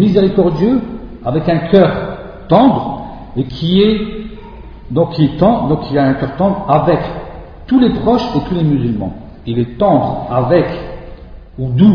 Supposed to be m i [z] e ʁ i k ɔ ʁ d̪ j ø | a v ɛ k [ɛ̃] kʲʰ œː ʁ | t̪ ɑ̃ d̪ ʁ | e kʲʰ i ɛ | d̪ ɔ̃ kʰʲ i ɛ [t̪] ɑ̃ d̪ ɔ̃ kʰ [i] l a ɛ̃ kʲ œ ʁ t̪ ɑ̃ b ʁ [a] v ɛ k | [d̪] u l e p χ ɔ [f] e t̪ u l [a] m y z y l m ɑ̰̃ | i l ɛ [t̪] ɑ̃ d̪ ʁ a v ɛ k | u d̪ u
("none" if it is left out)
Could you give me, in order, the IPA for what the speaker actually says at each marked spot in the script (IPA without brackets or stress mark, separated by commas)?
z, ɛ̃, t̪, i, a, t̪, ʃ, e, t̪